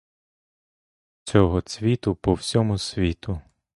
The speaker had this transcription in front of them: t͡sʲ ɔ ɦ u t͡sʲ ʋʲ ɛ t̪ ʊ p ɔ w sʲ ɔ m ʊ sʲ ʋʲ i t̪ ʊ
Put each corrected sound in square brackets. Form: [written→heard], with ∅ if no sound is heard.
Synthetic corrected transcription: t͡sʲ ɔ ɦ [u→ɔ] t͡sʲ ʋʲ [ɛ→i] t̪ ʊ p ɔ w sʲ ɔ m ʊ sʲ ʋʲ i t̪ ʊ